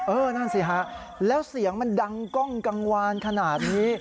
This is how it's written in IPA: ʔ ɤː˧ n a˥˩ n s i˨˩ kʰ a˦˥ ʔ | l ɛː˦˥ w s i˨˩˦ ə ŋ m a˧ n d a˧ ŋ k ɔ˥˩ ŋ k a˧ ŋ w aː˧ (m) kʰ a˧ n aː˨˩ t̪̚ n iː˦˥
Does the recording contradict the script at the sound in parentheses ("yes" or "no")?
yes